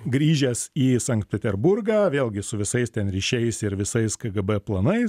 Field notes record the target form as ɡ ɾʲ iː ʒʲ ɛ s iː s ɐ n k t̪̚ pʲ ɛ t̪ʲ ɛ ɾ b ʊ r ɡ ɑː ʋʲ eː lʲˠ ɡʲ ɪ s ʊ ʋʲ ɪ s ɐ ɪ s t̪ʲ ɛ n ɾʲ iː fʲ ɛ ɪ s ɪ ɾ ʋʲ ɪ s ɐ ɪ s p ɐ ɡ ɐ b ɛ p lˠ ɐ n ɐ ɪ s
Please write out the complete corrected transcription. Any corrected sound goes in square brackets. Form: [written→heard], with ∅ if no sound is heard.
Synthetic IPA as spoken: ɡ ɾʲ iː ʒʲ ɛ s iː s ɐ [n→ŋ] k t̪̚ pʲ ɛ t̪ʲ ɛ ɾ b ʊ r ɡ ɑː ʋʲ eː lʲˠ ɡʲ ɪ s ʊ ʋʲ ɪ s ɐ ɪ s t̪ʲ ɛ n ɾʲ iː [fʲ→ʃʲ] ɛ ɪ s ɪ ɾ ʋʲ ɪ s ɐ ɪ s [p→k] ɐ ɡ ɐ b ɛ p lˠ ɐ n ɐ ɪ s